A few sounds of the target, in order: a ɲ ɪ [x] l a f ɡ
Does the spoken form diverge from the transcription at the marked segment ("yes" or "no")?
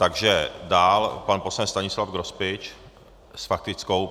yes